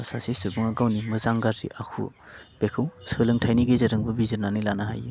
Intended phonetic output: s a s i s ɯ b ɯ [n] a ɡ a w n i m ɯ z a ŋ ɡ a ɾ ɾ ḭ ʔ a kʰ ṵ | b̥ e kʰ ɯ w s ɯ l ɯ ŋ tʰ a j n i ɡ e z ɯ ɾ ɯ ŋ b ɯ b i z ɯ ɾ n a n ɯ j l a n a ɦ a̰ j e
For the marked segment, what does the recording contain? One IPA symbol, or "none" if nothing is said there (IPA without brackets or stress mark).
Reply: ŋ